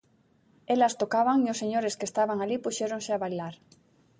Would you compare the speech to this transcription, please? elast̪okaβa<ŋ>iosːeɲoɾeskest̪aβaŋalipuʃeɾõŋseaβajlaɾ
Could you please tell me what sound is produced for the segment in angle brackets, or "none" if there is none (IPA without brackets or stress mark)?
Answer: ŋ